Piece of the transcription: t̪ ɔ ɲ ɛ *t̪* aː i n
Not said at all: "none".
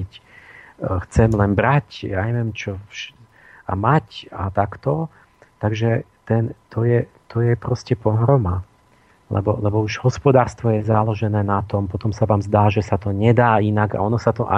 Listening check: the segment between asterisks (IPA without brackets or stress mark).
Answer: d̪